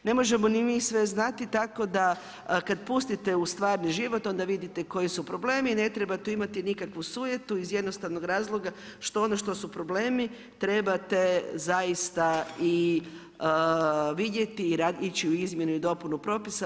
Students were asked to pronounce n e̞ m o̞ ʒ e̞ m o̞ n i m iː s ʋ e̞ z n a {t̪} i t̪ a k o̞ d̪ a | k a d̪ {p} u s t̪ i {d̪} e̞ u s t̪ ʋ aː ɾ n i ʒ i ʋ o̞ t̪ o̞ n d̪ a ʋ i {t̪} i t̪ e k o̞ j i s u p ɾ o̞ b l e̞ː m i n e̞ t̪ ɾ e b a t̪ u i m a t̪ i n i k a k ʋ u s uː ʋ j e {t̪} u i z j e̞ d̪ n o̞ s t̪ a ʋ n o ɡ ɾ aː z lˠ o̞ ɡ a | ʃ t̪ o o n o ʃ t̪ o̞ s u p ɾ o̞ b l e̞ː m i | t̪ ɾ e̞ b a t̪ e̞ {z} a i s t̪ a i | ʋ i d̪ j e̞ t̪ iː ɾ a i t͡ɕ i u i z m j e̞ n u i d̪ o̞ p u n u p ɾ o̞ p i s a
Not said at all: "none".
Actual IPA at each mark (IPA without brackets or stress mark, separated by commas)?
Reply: t̪, p, t̪, d̪, t̪, z